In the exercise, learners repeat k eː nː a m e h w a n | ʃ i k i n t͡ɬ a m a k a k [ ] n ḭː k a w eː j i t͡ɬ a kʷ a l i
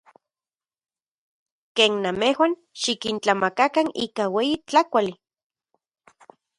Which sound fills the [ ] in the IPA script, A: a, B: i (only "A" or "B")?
A